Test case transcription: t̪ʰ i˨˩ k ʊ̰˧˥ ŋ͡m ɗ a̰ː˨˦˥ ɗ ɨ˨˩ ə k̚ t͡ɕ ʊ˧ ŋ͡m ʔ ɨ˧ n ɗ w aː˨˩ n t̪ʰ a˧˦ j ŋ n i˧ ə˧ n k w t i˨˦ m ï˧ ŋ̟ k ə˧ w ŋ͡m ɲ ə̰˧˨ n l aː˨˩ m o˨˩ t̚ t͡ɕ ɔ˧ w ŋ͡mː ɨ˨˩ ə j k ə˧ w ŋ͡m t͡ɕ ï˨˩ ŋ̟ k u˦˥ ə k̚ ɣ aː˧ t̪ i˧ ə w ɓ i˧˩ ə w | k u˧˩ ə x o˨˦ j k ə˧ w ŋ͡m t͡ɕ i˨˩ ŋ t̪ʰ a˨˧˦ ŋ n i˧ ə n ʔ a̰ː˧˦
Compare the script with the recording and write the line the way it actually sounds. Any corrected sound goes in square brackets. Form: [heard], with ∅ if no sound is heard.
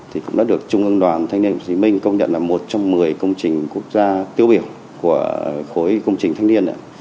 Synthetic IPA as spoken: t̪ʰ i˨˩ k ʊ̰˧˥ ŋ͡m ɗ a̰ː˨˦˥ ɗ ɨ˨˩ ə k̚ t͡ɕ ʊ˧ ŋ͡m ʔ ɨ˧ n ɗ w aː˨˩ n t̪ʰ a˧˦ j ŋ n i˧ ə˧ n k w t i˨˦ m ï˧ ŋ̟ k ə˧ w ŋ͡m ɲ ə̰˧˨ n l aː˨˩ m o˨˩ t̚ t͡ɕ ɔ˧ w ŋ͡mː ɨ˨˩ ə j k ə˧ w ŋ͡m t͡ɕ ï˨˩ ŋ̟ k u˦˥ ə k̚ [z] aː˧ t̪ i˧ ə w ɓ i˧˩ ə w | k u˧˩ ə x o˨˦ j k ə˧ w ŋ͡m t͡ɕ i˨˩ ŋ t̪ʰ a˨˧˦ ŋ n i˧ ə n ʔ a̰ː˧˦

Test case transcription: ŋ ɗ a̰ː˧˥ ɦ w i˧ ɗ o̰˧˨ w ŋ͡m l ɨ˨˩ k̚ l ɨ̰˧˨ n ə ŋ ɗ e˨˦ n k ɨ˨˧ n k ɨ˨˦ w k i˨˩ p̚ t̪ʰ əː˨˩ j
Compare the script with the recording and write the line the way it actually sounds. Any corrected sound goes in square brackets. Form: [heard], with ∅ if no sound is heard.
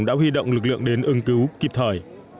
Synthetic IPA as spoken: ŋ ɗ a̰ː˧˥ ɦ w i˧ ɗ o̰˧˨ w ŋ͡m l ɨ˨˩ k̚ l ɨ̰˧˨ [∅] ə ŋ ɗ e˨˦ n [ʔ] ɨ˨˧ [ŋ] k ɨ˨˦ w k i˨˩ p̚ t̪ʰ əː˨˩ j

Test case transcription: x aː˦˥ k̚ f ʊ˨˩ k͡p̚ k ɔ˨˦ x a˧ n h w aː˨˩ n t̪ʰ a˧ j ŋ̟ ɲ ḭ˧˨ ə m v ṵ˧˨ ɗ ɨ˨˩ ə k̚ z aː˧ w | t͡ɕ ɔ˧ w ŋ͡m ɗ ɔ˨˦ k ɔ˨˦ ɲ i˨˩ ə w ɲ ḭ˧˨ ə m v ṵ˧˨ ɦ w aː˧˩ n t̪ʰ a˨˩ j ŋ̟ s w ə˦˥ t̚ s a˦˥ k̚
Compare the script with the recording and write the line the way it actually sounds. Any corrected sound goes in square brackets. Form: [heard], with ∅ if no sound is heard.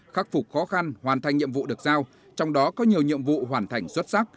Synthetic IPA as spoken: x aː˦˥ k̚ f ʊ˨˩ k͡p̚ [x] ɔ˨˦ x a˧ n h w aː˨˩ n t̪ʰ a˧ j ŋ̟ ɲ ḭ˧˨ ə m v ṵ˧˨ ɗ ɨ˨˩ ə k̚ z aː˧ w | t͡ɕ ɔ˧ w ŋ͡m ɗ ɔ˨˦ k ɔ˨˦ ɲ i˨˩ ə w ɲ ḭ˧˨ ə m v ṵ˧˨ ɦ w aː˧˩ n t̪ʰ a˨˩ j ŋ̟ s w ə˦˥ t̚ s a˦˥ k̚

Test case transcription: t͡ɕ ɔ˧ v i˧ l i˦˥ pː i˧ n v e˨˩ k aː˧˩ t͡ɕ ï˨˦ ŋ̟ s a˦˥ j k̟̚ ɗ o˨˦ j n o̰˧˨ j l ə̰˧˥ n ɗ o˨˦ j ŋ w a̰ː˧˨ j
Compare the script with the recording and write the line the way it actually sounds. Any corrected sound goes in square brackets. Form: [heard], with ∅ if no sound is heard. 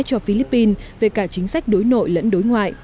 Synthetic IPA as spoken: t͡ɕ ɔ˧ [f] i˧ l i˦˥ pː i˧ n v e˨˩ k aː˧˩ t͡ɕ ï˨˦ ŋ̟ s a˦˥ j k̟̚ ɗ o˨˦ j n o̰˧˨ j l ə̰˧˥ n ɗ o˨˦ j ŋ w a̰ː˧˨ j

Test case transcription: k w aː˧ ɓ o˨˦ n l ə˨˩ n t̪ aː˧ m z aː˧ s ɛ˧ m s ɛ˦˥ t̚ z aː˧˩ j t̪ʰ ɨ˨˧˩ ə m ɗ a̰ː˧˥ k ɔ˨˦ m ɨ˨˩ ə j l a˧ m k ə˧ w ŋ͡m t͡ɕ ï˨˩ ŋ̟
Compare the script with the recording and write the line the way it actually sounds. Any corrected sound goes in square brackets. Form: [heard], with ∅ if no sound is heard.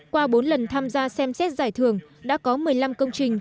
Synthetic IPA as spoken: k w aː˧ ɓ o˨˦ n l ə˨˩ n [t̪ʰ] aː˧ m z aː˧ s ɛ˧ m s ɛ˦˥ t̚ z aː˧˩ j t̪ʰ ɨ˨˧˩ ə [ŋ] ɗ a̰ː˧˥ k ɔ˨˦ m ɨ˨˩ ə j l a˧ m k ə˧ w ŋ͡m t͡ɕ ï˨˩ ŋ̟

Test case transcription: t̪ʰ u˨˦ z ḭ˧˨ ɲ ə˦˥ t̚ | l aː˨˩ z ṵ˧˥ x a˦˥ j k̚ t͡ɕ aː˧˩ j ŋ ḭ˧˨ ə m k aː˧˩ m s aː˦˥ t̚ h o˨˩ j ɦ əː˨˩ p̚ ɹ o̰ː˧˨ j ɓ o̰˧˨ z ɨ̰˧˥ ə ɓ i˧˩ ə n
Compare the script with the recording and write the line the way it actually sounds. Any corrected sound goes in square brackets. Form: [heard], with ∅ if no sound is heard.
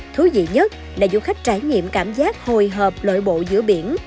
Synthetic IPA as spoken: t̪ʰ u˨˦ z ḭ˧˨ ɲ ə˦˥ t̚ | l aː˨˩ z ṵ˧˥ x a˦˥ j k̚ t͡ɕ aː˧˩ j [ɲ] ḭ˧˨ ə m k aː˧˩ m [z] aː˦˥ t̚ h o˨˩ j ɦ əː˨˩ p̚ [l] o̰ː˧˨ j ɓ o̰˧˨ z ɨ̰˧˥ ə ɓ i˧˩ ə n

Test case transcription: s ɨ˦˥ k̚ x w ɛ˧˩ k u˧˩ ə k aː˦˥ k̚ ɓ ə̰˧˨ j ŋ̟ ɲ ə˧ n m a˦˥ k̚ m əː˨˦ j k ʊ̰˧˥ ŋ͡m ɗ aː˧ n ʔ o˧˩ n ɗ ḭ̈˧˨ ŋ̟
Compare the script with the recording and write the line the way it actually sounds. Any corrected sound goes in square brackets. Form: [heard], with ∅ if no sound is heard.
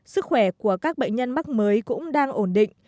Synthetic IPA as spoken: s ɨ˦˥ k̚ x w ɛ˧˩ k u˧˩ ə k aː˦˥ k̚ ɓ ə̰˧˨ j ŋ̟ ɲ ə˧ n m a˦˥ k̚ m əː˨˦ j k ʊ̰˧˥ ŋ͡m ɗ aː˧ [ŋ] ʔ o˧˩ n ɗ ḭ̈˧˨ ŋ̟

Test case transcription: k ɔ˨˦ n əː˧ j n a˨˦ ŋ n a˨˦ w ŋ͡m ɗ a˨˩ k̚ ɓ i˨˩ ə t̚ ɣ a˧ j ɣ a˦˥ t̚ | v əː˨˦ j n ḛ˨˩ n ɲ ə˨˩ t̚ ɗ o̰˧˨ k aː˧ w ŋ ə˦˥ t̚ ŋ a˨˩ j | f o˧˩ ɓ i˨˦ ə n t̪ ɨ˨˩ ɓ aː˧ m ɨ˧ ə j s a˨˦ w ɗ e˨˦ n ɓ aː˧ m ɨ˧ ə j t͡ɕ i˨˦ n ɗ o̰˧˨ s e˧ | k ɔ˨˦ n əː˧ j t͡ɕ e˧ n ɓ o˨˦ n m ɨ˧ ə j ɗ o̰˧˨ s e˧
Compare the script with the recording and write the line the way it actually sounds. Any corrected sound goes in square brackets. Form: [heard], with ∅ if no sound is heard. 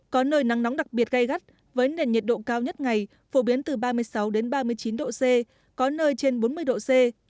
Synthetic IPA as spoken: k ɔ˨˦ n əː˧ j n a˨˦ ŋ n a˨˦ w ŋ͡m ɗ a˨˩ k̚ ɓ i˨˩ ə t̚ ɣ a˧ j ɣ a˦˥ t̚ | v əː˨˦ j n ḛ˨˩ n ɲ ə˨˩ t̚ ɗ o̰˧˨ k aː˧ w [ɲ] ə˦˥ t̚ ŋ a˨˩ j | f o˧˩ ɓ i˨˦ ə n t̪ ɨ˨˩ ɓ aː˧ m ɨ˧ ə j s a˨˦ w ɗ e˨˦ n ɓ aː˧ m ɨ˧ ə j t͡ɕ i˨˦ n ɗ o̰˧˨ s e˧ | k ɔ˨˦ n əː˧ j t͡ɕ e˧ n ɓ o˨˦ n m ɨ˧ ə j ɗ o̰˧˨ s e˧

